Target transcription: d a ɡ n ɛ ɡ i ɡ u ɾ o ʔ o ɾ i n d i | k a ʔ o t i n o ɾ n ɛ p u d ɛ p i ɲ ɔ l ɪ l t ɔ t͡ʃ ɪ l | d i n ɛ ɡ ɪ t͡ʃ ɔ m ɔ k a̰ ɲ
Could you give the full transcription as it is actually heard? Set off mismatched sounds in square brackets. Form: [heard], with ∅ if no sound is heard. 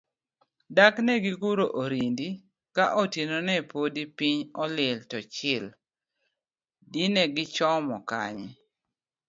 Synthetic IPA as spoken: d a [k] n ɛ ɡ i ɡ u ɾ o ʔ o ɾ i n d i | k a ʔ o t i n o [∅] n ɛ p [o] d [i] p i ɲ ɔ l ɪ l t ɔ t͡ʃ ɪ l | d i n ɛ ɡ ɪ t͡ʃ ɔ m ɔ k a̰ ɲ